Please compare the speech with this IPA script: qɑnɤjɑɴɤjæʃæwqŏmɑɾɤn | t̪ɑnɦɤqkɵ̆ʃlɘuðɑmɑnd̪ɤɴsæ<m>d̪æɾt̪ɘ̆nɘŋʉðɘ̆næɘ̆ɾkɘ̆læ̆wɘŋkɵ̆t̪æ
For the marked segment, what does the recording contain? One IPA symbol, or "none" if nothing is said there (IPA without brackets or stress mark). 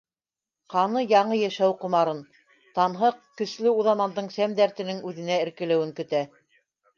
m